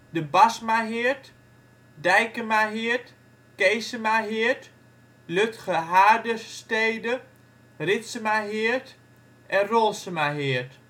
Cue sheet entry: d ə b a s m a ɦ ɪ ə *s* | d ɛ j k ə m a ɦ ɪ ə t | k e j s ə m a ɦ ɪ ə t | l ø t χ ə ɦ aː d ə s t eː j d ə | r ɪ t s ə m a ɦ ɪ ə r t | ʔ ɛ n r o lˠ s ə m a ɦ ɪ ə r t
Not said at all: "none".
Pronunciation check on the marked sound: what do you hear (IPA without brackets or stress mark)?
t